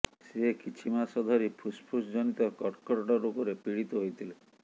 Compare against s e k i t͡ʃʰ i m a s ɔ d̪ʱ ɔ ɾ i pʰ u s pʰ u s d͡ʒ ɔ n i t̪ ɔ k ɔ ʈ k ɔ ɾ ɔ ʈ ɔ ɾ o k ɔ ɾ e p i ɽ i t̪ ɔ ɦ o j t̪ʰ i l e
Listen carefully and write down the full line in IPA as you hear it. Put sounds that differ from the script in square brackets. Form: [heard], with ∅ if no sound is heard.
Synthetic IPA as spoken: s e k i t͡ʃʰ i m a s ɔ d̪ʱ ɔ ɾ i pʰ u s pʰ u s d͡ʒ ɔ n i t̪ ɔ k ɔ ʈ k ɔ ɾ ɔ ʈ ɔ ɾ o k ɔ ɾ e p i ɽ i t̪ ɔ ɦ o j t̪ʰ i l e